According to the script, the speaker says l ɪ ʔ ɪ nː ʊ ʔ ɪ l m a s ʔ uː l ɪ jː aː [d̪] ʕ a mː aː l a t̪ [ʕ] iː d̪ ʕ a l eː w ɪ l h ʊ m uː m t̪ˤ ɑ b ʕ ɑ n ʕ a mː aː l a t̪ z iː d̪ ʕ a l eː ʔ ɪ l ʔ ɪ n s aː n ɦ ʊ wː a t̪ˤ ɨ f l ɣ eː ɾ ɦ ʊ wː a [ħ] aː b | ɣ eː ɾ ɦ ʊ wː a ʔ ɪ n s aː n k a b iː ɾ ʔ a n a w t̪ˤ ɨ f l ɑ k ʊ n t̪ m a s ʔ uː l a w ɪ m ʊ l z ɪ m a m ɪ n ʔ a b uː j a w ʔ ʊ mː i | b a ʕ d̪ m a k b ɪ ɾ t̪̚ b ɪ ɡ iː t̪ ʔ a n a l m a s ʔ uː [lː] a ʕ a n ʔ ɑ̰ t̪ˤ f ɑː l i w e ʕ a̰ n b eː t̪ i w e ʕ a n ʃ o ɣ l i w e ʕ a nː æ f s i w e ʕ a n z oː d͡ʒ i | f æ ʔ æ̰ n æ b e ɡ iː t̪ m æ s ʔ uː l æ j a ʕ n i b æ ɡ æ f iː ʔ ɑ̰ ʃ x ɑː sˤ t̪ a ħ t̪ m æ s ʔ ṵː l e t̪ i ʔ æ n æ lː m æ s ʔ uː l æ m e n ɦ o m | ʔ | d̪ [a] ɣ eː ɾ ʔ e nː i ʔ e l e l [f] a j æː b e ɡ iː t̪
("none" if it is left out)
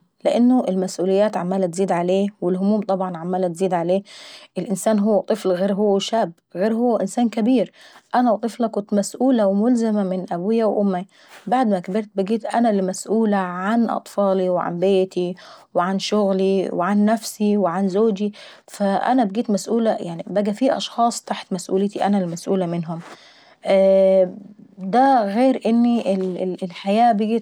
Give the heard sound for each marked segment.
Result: t̪, z, ʃ, l, æ, ħ

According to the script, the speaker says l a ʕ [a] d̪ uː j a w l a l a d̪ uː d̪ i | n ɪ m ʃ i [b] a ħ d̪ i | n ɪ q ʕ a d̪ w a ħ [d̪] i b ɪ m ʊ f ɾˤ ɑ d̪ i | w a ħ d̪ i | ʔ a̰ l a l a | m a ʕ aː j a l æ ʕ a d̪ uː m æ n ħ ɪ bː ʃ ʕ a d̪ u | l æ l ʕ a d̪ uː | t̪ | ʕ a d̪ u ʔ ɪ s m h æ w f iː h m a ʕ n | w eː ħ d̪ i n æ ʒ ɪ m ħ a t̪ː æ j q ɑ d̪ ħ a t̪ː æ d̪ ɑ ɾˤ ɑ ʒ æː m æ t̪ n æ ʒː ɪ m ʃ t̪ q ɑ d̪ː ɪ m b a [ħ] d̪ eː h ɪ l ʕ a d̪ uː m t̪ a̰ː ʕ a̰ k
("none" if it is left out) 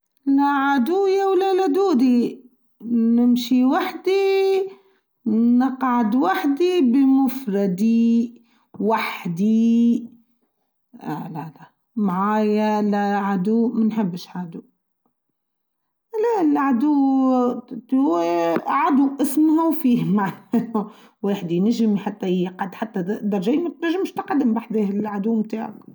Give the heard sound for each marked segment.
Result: a, w, d̪, ħ

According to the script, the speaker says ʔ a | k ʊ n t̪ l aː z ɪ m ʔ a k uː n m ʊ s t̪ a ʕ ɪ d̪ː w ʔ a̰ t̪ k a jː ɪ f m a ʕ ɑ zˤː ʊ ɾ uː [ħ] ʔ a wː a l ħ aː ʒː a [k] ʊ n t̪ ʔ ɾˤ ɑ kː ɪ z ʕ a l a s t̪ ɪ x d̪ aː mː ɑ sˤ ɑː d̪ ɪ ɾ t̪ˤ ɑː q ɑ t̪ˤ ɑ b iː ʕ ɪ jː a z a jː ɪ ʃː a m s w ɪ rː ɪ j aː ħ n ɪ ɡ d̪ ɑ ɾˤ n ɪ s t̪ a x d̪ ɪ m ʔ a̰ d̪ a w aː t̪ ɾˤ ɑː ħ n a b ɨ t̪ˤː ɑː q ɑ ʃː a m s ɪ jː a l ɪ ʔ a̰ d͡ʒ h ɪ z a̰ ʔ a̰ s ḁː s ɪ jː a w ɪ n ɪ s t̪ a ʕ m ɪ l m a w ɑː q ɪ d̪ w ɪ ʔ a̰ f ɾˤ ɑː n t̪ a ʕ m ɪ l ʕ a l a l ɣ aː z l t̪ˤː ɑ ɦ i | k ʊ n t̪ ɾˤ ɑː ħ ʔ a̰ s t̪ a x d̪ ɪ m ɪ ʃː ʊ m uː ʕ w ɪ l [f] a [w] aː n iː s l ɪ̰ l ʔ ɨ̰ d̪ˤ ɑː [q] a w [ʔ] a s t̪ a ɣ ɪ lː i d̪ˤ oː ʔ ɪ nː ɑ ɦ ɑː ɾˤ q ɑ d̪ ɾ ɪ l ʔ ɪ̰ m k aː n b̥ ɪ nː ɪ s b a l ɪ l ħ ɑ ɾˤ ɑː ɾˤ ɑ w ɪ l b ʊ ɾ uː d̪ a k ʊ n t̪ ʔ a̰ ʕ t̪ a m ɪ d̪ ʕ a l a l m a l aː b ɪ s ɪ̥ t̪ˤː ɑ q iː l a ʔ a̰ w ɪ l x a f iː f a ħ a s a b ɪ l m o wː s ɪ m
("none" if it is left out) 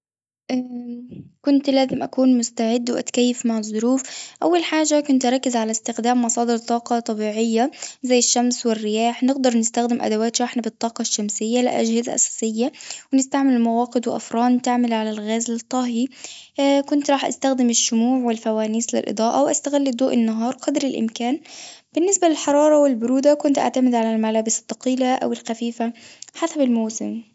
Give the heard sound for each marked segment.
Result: f, k, f, w, ʔ, ʔ

